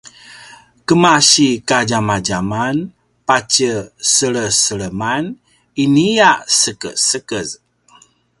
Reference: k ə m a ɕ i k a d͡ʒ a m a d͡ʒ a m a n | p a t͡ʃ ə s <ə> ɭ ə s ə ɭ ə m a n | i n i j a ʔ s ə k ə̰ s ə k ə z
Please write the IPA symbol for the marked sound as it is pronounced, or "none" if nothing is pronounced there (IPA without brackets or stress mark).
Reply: ə